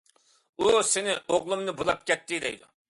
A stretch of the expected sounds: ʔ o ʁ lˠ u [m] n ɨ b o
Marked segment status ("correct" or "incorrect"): correct